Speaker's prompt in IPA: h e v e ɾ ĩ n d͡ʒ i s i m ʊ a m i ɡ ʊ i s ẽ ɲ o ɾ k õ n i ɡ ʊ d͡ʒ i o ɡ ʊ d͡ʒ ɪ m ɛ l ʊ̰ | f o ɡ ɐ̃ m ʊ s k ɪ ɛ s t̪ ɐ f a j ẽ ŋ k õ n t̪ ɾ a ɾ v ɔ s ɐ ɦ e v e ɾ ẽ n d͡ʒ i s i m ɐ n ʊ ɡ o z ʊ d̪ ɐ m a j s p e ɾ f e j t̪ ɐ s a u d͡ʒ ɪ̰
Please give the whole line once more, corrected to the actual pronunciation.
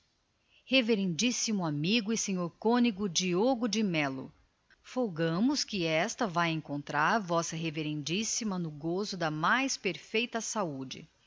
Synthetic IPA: h e v e ɾ ẽ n d͡ʒ i s i m ʊ a m i ɡ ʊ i s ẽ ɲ o ɾ k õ n i ɡ ʊ d͡ʒ i o ɡ ʊ d͡ʒ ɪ m ɛ l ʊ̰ | f o ɡ ɐ̃ m ʊ s k ɪ ɛ s t̪ ɐ v a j ẽ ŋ k õ n t̪ ɾ a ɾ v ɔ s ɐ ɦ e v e ɾ ẽ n d͡ʒ i s i m ɐ n ʊ ɡ o z ʊ d̪ ɐ m a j s p e ɾ f e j t̪ ɐ s a u d͡ʒ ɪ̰

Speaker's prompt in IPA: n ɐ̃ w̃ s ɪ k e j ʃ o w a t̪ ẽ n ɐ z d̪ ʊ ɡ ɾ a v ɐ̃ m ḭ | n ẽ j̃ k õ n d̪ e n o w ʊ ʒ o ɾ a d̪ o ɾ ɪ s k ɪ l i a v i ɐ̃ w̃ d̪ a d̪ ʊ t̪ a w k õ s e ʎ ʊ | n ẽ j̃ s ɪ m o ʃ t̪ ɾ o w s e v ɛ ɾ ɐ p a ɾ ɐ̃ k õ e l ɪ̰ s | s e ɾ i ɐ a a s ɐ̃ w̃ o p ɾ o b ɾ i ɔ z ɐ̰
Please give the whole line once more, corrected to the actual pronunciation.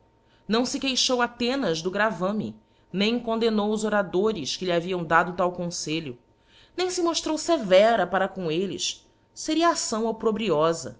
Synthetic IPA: n ɐ̃ w̃ s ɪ k e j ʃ o w a t̪ ẽ n ɐ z d̪ ʊ ɡ ɾ a v ɐ̃ m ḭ | n ẽ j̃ k õ n d̪ e n o w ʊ z o ɾ a d̪ o ɾ ɪ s k ɪ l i a v i ɐ̃ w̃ d̪ a d̪ ʊ t̪ a w k õ s e ʎ ʊ | n ẽ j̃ s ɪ m o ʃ t̪ ɾ o w s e v ɛ ɾ ɐ p a ɾ ɐ k õ e l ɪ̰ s | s e ɾ i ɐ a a s ɐ̃ w̃ o p ɾ o b ɾ i ɔ z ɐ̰

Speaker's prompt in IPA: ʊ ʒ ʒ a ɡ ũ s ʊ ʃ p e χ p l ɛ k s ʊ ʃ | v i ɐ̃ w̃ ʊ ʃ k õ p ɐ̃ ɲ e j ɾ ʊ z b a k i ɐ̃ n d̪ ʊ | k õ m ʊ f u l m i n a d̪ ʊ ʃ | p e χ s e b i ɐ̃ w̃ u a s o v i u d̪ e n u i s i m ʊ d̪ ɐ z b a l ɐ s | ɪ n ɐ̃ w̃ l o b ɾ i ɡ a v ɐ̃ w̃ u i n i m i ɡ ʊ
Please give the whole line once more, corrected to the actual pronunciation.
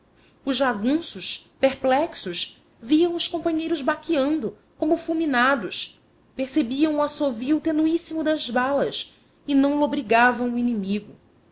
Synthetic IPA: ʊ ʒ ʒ a ɡ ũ s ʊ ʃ p e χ p l ɛ k s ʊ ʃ | v i ɐ̃ w̃ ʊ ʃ k õ p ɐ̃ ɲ e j ɾ ʊ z b a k i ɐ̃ n d̪ ʊ | k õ m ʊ f u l m i n a d̪ ʊ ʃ | p e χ s e b i ɐ̃ w̃ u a s o v i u t̪ e n u i s i m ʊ d̪ ɐ z b a l ɐ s | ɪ n ɐ̃ w̃ l o b ɾ i ɡ a v ɐ̃ w̃ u i n i m i ɡ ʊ

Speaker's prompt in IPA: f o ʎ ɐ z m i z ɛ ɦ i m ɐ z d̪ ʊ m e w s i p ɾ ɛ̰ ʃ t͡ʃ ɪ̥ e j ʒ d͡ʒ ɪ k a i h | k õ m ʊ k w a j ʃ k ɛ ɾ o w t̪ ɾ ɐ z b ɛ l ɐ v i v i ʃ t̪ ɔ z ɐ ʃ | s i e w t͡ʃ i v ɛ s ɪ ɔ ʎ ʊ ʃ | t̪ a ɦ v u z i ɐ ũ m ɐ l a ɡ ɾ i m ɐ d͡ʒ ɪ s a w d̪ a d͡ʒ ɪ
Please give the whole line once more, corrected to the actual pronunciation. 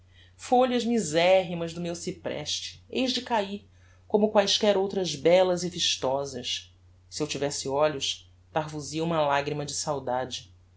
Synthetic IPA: f o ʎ ɐ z m i z ɛ ɦ i m ɐ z d̪ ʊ m e w s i p ɾ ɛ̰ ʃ t͡ʃ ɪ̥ e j ʒ d͡ʒ ɪ k a i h | k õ m ʊ k w a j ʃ k ɛ ɾ o w t̪ ɾ ɐ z b ɛ l ɐ z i v i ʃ t̪ ɔ z ɐ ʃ | s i e w t͡ʃ i v ɛ s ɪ ɔ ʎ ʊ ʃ | t̪ a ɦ v u z i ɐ ũ m ɐ l a ɡ ɾ i m ɐ d͡ʒ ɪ s a w d̪ a d͡ʒ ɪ

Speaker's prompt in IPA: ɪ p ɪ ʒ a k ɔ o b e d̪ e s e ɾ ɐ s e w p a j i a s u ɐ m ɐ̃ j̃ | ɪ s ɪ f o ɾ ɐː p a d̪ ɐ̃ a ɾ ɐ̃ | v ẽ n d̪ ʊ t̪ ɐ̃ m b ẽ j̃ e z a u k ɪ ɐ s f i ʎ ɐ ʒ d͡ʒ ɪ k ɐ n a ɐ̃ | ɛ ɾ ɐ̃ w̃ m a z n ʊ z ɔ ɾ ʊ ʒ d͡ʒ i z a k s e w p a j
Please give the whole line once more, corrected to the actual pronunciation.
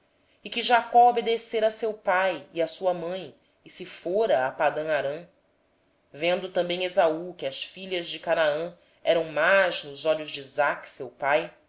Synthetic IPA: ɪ k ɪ ʒ a k ɔ o b e d̪ e s e ɾ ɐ s e w p a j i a s u ɐ m ɐ̃ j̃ | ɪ s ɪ f o ɾ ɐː p a d̪ ɐ̃ a ɾ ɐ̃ | v ẽ n d̪ ʊ t̪ ɐ̃ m b ẽ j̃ e z a u k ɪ ɐ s f i ʎ ɐ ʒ d͡ʒ ɪ k a n a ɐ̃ | ɛ ɾ ɐ̃ w̃ m a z n ʊ z ɔ ʎ ʊ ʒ d͡ʒ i z a k s e w p a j

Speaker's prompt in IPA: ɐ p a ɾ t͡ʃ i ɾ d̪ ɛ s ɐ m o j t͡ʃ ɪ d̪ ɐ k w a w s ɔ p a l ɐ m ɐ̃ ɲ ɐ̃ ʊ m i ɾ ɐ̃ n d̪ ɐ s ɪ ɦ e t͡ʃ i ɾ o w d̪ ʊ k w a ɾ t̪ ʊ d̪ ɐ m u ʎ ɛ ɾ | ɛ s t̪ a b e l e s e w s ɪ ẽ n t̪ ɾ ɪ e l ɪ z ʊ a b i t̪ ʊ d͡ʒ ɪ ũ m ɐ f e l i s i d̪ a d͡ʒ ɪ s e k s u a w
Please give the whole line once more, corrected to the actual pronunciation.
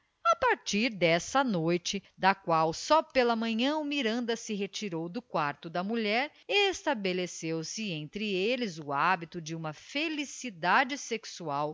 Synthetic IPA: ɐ p a ɾ t͡ʃ i ɾ d̪ ɛ s ɐ n o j t͡ʃ ɪ d̪ ɐ k w a w s ɔ p e l ɐ m ɐ̃ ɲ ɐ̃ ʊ m i ɾ ɐ̃ n d̪ ɐ s ɪ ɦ e t͡ʃ i ɾ o w d̪ ʊ k w a ɾ t̪ ʊ d̪ ɐ m u ʎ ɛ ɾ | e s t̪ a b e l e s e w s ɪ ẽ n t̪ ɾ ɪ e l ɪ z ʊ a b i t̪ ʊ d͡ʒ ɪ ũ m ɐ f e l i s i d̪ a d͡ʒ ɪ s e k s u a w

